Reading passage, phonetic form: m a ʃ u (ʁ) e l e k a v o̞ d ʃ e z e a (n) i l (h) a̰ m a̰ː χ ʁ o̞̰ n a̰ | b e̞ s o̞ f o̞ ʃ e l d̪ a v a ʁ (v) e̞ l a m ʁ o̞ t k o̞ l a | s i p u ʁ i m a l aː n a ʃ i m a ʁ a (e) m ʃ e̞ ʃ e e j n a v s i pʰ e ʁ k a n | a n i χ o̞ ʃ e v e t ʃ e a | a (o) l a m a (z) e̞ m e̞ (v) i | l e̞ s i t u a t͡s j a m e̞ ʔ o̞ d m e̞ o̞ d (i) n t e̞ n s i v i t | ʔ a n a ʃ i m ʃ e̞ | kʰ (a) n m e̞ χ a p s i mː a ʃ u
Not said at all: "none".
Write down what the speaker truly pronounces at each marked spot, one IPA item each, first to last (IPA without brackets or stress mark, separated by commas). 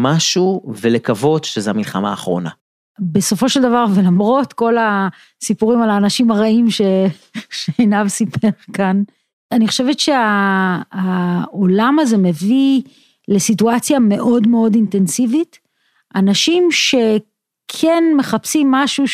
v, m, χ, v, i, o, z, v, i, e